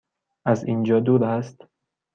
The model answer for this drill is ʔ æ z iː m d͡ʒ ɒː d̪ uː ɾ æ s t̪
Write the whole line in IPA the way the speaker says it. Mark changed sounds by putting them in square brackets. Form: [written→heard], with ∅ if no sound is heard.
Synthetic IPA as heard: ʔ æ z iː [m→n] d͡ʒ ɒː d̪ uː ɾ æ s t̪